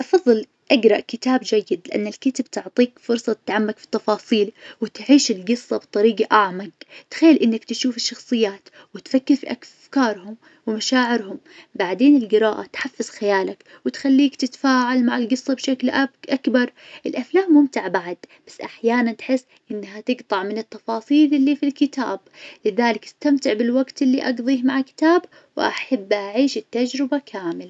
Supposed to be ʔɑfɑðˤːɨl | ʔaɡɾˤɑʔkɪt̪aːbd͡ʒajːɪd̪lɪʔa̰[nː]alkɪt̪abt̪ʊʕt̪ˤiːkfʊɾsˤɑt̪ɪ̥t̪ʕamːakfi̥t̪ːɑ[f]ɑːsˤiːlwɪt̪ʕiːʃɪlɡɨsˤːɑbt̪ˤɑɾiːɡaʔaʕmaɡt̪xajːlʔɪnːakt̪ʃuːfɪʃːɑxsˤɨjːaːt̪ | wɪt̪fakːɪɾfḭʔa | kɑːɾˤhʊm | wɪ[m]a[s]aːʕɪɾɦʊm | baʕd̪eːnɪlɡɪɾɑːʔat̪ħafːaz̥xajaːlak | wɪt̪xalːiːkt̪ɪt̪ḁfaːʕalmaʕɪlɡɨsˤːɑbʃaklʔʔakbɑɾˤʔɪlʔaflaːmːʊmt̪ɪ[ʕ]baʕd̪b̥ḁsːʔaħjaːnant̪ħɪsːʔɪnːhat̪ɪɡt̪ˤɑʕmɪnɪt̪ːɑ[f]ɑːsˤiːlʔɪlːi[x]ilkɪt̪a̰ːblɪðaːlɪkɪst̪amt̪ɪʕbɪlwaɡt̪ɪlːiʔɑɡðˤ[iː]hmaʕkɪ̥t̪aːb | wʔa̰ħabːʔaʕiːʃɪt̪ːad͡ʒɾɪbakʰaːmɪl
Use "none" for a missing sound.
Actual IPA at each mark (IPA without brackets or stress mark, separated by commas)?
nː, f, m, ʃ, ʕ, f, f, iː